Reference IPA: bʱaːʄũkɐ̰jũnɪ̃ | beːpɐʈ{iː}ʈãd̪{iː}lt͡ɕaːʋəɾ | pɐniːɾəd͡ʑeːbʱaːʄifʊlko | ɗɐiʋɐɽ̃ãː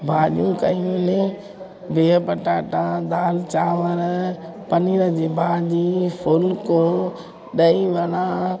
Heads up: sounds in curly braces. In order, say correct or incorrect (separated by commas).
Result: incorrect, incorrect